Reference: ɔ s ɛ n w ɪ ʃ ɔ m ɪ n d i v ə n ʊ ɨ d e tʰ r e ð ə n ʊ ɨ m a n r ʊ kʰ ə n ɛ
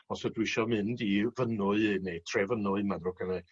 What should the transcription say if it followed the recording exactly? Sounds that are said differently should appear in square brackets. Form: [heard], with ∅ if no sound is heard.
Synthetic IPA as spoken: ɔ s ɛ [d] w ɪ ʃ ɔ m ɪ n d i v ə n ʊ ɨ [n] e tʰ r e [v] ə n ʊ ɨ m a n r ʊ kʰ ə n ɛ